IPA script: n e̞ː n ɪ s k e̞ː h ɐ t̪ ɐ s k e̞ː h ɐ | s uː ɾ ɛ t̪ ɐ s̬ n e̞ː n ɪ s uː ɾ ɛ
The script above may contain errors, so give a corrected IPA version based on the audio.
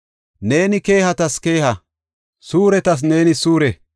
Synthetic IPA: n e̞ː n ɪ k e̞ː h ɐ t̪ ɐ s k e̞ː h ɐ | s uː ɾ ɛ t̪ ɐ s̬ n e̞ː n ɪ s uː ɾ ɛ